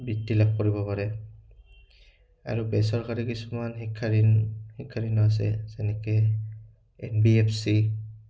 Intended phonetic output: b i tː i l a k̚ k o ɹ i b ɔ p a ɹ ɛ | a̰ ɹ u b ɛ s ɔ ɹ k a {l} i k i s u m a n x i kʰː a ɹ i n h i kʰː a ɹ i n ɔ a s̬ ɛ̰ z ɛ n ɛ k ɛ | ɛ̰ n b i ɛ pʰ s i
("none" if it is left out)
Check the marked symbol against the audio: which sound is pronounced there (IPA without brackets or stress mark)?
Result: ɹ